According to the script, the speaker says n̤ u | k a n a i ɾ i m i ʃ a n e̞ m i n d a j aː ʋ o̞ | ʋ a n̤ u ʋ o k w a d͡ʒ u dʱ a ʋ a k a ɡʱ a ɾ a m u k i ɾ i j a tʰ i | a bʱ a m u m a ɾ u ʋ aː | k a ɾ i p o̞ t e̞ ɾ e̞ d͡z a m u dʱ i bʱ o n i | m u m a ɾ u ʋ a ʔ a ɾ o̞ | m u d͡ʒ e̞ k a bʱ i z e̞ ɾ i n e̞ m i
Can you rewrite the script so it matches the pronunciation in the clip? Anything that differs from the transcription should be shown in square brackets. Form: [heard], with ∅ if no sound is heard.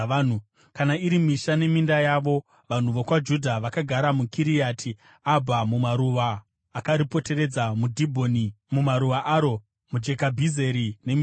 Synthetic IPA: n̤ u | k a n a i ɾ i m i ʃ a n e̞ m i n d a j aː ʋ o̞ | ʋ a n̤ u ʋ o k w a d͡ʒ u dʱ a ʋ a k a ɡʱ a ɾ a m u k i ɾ i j a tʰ i | a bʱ a m u m a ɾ u ʋ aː | k a ɾ i p o̞ t e̞ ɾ e̞ d͡z a m u dʱ i bʱ o n i | m u m a ɾ u ʋ a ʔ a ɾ o̞ | m u d͡ʒ e̞ k a bʱ i z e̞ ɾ i n e̞ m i